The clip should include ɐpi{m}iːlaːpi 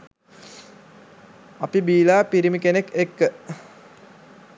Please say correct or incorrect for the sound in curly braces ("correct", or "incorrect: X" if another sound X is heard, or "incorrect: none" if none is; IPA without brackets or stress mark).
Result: incorrect: b